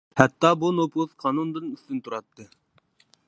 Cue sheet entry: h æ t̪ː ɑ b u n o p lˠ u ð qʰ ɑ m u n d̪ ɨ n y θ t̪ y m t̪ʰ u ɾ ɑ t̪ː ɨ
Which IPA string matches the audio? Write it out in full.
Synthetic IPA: h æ t̪ː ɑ b u n o p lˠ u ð qʰ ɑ n u n d̪ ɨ n y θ t̪ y n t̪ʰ u ɾ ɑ t̪ː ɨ